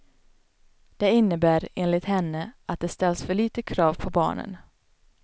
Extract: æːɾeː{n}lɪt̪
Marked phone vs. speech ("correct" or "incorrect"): correct